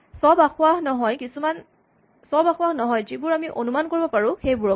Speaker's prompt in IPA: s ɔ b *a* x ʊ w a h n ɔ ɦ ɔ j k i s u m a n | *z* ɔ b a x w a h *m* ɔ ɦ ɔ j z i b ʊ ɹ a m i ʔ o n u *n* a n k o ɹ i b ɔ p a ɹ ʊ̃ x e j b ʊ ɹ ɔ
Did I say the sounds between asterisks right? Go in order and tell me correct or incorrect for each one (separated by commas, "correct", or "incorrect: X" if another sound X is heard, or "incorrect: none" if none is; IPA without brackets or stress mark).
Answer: correct, incorrect: s, incorrect: n, incorrect: m